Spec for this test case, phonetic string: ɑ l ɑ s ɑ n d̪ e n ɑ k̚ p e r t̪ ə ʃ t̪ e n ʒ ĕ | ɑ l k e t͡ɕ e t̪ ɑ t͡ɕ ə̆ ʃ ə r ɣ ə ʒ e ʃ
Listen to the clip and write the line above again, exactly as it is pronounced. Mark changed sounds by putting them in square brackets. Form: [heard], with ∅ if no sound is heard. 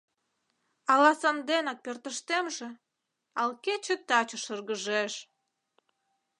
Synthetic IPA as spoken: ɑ l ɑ s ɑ n d̪ e n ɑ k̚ p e r t̪ ə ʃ t̪ e [m] ʒ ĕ | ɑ l k e t͡ɕ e t̪ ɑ t͡ɕ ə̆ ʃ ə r ɣ ə ʒ e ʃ